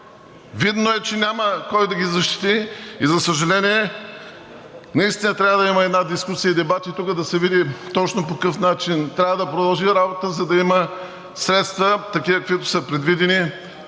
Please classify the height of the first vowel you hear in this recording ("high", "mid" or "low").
high